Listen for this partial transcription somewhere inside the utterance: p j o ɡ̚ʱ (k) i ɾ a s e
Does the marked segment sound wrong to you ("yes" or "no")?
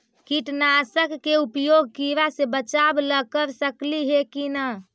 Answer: no